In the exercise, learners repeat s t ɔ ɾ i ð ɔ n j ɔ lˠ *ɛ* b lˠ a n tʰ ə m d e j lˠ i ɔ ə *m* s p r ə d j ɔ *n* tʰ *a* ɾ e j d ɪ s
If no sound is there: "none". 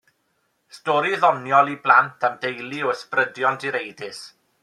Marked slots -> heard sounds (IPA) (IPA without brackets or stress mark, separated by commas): i, none, n, i